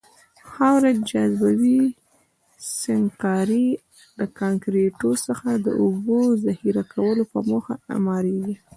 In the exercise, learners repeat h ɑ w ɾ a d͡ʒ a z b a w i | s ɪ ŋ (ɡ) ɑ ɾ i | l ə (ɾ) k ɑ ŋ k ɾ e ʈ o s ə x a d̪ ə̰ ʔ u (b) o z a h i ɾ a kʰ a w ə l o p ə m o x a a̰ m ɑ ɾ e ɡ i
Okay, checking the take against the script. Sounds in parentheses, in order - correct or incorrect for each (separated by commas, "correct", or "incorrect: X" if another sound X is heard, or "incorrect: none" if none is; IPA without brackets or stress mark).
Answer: incorrect: k, incorrect: none, correct